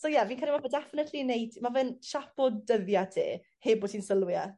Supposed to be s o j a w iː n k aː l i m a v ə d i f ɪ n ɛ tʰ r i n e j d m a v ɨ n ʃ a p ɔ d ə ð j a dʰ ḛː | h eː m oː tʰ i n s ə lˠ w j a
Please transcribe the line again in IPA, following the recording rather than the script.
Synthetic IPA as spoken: s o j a v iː n k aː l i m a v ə d ɛ f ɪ n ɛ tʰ l i n e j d m a v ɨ n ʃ a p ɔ d ə ð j a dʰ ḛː | h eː b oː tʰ i n s ə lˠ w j a